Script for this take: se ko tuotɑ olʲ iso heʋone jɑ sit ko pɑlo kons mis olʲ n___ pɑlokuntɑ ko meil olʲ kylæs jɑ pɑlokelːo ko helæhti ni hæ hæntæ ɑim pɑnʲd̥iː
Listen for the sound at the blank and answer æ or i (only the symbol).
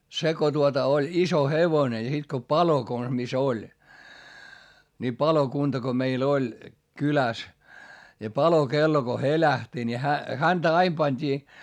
i